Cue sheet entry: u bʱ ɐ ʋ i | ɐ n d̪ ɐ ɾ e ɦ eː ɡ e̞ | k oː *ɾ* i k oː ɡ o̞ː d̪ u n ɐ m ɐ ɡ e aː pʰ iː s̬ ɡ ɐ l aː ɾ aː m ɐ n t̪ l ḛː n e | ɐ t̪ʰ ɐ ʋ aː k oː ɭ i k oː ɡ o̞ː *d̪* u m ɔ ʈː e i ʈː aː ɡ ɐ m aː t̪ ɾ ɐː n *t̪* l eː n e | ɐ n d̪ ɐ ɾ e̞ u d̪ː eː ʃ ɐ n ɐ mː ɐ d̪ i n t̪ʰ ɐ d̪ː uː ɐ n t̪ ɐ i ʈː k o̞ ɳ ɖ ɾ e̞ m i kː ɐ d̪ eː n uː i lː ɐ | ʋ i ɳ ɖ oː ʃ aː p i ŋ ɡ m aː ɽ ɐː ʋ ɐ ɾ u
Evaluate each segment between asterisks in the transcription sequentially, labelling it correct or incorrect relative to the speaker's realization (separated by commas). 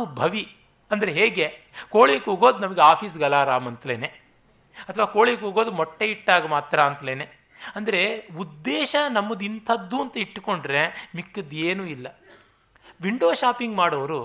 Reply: incorrect, correct, correct